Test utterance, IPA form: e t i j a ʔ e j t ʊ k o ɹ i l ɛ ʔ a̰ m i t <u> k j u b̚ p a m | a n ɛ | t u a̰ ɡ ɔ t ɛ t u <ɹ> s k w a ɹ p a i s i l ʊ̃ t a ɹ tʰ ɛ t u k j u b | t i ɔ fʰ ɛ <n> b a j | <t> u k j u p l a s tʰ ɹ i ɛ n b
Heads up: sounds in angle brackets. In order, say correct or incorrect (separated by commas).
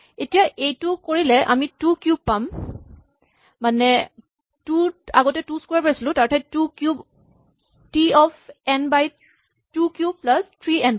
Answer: correct, incorrect, correct, correct